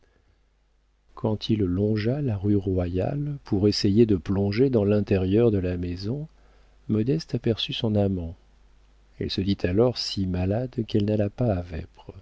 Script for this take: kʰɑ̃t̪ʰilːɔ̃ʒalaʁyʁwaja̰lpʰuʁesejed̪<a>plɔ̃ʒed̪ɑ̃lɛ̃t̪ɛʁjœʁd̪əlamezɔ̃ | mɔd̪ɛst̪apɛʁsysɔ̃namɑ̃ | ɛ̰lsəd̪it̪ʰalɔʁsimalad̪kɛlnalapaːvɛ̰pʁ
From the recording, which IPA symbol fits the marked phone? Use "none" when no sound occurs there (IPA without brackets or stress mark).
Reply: ə